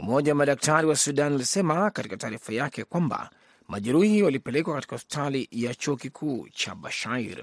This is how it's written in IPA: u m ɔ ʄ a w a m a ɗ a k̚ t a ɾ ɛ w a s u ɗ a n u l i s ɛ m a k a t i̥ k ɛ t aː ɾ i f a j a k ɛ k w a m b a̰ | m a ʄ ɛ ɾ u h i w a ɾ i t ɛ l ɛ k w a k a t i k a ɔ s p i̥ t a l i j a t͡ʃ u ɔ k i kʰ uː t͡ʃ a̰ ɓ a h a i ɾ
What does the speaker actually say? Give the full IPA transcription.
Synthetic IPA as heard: u m ɔ ʄ a w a m a ɗ a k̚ t a ɾ i w a s u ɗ a n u l i s ɛ m a k a t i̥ k a t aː ɾ i f a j a k ɛ k w a m b a̰ | m a ʄ ɛ ɾ u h i w a l i p ɛ l ɛ k w a k a t i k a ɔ s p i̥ t a l i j a t͡ʃ u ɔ k i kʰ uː t͡ʃ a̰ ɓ a ʃ a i ɾ